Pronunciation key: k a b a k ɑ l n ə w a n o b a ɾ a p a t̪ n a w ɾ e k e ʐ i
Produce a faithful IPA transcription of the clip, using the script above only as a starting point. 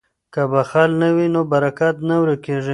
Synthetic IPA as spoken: k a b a x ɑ l n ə w i n o b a ɾ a k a t̪ n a w ɾ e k e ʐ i